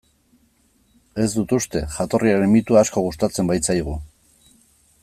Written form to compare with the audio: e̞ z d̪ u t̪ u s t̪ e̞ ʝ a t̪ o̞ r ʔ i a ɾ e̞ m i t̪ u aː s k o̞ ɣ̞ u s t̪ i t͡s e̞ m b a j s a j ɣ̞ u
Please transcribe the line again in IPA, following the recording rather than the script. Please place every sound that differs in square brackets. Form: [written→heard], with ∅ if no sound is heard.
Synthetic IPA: e̞ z d̪ u t̪ u s t̪ e̞ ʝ a t̪ o̞ r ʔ i a ɾ e̞ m i t̪ u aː s k o̞ ɣ̞ u s t̪ [i→a] t͡s e̞ m b a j [s→t͡s] a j ɣ̞ u